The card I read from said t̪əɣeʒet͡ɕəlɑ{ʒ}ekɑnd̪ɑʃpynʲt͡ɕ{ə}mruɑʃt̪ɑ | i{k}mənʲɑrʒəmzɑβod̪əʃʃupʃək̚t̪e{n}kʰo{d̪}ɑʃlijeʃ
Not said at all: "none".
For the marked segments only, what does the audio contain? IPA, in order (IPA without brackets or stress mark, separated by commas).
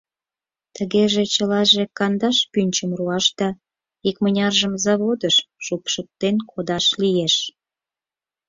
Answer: ʒ, ə, k, n, d̪